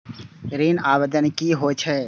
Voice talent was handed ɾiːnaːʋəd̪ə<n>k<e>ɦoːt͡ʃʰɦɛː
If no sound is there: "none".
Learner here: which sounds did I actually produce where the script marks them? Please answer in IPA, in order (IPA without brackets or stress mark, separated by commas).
n, i